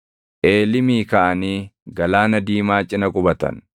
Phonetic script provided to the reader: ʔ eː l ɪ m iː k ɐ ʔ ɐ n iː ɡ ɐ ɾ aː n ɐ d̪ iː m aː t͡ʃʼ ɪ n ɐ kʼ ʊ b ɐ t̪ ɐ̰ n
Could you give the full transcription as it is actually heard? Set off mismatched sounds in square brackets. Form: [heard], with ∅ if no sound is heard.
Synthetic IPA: ʔ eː l ɪ m iː k ɐ ʔ ɐ n iː ɡ ɐ [l] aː n ɐ d̪ iː m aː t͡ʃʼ ɪ n ɐ kʼ ʊ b ɐ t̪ ɐ̰ n